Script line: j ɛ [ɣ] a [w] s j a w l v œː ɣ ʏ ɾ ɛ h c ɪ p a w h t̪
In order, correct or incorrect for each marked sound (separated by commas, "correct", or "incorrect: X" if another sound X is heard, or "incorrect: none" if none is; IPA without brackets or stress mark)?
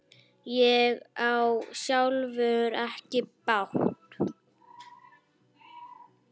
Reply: correct, correct